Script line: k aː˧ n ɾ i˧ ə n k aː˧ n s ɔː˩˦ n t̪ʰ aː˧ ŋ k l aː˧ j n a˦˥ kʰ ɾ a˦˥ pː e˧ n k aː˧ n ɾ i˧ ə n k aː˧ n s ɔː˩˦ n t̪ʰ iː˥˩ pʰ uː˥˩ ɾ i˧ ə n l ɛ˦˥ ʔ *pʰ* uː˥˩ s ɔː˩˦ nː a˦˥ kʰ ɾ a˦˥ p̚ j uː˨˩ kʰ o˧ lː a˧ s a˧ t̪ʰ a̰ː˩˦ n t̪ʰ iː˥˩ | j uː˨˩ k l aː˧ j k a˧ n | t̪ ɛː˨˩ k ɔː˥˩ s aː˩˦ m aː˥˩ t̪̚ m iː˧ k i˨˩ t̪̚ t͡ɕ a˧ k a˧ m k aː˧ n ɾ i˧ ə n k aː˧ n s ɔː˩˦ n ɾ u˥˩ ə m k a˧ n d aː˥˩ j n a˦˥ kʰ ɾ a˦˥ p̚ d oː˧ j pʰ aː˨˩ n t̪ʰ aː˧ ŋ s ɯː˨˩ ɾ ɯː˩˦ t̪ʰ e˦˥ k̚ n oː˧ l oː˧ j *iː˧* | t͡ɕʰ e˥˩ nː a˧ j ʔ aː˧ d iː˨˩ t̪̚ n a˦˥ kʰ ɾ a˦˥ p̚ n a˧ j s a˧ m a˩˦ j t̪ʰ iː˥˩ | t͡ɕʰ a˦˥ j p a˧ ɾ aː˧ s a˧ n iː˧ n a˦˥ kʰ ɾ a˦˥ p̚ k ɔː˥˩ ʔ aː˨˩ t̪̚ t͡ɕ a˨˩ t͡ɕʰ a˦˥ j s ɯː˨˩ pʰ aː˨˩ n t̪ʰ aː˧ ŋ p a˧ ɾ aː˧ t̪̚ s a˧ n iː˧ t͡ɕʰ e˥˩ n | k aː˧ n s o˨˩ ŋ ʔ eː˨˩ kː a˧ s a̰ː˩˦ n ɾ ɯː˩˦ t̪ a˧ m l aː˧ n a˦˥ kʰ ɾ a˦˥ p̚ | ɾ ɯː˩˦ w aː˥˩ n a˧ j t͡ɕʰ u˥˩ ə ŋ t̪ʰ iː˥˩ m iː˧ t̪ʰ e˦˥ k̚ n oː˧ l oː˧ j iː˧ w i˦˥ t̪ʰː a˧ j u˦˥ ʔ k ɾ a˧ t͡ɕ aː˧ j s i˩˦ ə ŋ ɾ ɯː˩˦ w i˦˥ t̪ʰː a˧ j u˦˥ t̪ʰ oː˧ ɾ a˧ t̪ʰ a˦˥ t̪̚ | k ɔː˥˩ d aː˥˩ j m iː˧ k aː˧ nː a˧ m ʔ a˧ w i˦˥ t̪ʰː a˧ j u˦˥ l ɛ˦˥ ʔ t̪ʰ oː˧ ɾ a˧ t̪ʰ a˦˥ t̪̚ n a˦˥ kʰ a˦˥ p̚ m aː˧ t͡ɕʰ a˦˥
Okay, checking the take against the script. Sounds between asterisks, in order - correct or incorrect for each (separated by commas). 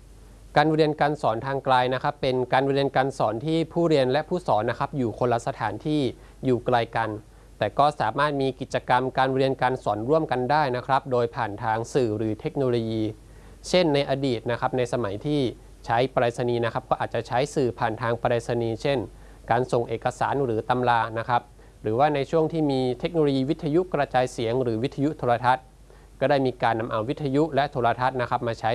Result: correct, correct